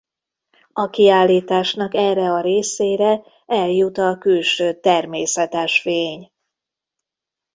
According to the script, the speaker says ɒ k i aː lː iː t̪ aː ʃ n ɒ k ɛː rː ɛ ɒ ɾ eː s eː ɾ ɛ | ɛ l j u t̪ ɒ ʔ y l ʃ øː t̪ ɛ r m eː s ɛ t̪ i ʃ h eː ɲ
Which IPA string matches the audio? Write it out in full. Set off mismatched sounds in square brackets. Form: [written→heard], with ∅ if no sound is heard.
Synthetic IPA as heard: ɒ k i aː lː iː t̪ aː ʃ n ɒ k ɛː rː ɛ ɒ ɾ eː s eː ɾ ɛ | ɛ l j u t̪ ɒ [ʔ→k] y l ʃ øː t̪ ɛ r m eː s ɛ t̪ [i→ɛ] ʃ [h→f] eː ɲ

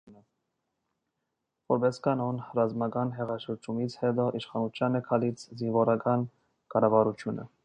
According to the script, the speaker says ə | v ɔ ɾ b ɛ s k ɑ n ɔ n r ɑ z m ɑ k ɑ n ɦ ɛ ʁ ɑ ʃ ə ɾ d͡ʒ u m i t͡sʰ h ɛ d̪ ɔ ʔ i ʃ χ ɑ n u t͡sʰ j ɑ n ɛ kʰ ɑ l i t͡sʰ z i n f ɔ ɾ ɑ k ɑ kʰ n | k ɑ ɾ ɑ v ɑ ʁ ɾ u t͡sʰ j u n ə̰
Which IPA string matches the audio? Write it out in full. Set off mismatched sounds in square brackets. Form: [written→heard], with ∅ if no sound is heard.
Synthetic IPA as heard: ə | v ɔ ɾ b ɛ s k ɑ n ɔ n r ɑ z m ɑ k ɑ n ɦ ɛ ʁ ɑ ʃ ə ɾ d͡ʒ u m i t͡sʰ h ɛ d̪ ɔ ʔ i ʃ χ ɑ n u t͡sʰ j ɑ n ɛ kʰ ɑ l i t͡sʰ z i n [f→v] ɔ ɾ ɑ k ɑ [kʰ→∅] n | k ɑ ɾ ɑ v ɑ [ʁ→∅] ɾ u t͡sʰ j u n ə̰

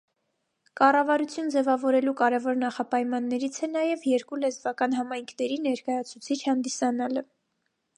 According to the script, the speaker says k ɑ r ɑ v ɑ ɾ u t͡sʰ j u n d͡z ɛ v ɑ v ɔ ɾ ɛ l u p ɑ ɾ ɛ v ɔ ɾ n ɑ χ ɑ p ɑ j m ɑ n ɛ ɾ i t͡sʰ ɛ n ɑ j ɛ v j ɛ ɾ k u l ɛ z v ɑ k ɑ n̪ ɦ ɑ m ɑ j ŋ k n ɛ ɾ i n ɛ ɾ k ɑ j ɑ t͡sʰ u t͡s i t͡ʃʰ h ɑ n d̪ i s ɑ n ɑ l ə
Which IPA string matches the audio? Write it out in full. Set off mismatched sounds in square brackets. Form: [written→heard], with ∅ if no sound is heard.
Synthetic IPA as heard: k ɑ r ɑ v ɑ ɾ u t͡sʰ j u n d͡z ɛ v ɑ v ɔ ɾ ɛ l u [p→k] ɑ ɾ ɛ v ɔ ɾ n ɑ χ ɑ p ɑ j m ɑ [n→nː] ɛ ɾ i t͡sʰ ɛ n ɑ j ɛ v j ɛ ɾ k u l ɛ z v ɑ k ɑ n̪ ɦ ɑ m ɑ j ŋ [k→kʰ] n ɛ ɾ i n ɛ ɾ k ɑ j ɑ t͡sʰ u [t͡s→t͡sʰ] i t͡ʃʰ h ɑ n d̪ i s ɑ n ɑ l ə

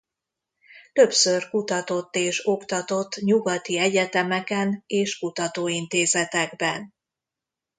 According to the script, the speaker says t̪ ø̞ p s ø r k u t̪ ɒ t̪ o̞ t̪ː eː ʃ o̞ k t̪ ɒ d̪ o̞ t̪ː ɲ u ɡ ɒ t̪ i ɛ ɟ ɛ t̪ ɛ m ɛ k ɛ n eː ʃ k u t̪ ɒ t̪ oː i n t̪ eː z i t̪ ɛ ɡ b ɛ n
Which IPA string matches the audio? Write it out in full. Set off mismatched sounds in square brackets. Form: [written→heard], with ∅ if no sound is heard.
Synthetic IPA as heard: t̪ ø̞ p s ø r k u t̪ ɒ t̪ o̞ t̪ː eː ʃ o̞ k t̪ ɒ [d̪→t̪] o̞ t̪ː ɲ u ɡ ɒ t̪ i ɛ ɟ ɛ t̪ ɛ m ɛ k ɛ n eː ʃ k u t̪ ɒ t̪ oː i n t̪ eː z [i→ɛ] t̪ ɛ ɡ b ɛ n

